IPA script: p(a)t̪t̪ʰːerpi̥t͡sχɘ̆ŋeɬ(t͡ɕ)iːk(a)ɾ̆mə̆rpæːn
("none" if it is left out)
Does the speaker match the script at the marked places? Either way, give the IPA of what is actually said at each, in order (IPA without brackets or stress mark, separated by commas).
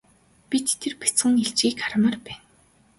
i, t͡ɕ, a